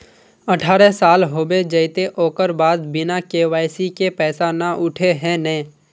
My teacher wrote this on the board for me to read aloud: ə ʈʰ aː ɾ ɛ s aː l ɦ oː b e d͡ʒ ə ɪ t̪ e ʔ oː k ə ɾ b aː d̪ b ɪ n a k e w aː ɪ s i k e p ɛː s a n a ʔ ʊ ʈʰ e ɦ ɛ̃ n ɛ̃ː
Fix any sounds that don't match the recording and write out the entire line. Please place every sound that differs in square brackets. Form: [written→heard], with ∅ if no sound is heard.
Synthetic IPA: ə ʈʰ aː ɾ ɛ s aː l ɦ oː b e d͡ʒ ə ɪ t̪ e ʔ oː k ə ɾ b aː d̪ b ɪ n a k e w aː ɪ s i k e p ɛː s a n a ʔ ʊ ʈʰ e ɦ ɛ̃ n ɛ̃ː